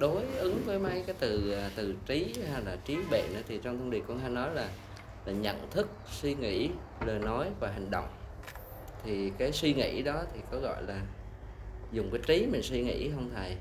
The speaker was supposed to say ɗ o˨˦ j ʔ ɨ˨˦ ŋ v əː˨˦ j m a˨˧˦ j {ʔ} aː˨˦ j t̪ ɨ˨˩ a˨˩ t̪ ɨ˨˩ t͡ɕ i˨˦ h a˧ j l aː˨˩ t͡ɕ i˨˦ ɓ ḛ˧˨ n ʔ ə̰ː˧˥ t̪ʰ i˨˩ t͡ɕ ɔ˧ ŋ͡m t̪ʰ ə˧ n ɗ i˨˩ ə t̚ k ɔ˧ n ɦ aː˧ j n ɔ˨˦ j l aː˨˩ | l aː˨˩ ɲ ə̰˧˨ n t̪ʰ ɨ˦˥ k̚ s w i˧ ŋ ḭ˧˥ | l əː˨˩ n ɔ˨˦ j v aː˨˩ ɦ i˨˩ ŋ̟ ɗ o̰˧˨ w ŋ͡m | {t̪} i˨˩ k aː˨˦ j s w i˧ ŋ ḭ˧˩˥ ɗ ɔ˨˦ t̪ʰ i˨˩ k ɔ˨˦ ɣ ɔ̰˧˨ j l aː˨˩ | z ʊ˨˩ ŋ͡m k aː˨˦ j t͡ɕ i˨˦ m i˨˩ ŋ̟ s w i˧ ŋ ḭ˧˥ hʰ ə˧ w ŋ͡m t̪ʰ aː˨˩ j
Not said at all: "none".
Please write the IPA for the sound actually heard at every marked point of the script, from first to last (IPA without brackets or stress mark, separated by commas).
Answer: k, t̪ʰ